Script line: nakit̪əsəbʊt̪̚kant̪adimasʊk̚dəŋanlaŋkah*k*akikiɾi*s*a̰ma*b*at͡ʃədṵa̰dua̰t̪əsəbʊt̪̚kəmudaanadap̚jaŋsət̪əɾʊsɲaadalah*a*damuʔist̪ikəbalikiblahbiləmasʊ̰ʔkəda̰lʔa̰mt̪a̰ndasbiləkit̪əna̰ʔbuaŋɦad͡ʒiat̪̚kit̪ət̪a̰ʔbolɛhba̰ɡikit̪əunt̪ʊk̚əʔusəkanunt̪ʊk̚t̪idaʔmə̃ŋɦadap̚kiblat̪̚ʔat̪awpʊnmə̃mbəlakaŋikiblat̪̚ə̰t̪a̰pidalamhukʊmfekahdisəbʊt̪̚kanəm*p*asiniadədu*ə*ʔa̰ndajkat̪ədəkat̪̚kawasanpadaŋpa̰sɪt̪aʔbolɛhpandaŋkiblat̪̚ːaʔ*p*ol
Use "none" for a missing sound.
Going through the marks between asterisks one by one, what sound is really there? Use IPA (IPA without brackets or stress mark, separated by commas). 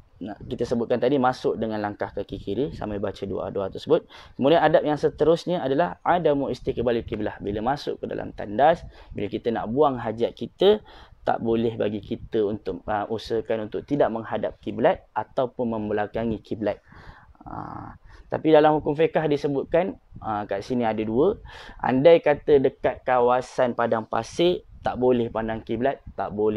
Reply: k, s, b, a, k, ə, b